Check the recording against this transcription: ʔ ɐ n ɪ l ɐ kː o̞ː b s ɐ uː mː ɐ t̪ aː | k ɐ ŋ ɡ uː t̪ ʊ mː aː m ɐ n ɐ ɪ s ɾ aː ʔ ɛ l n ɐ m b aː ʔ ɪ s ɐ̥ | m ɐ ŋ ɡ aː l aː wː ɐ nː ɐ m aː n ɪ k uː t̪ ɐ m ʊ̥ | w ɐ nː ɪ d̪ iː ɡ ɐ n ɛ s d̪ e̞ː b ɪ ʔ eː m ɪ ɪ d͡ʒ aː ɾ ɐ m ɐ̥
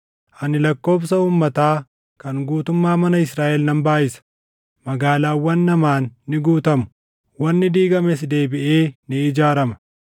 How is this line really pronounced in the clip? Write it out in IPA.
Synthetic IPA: ʔ ɐ n ɪ l ɐ kː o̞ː b s ɐ uː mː ɐ t̪ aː | k ɐ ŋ ɡ uː t̪ ʊ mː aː m ɐ n ɐ ɪ s ɾ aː ʔ ɛ l n ɐ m b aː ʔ ɪ s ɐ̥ | m ɐ ɡ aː l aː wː ɐ nː ɐ m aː nː ɪ ɡ uː t̪ ɐ m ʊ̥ | w ɐ nː ɪ d̪ iː ɡ ɐ m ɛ s d̪ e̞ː b ɪ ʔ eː n ɪ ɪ d͡ʒ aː ɾ ɐ m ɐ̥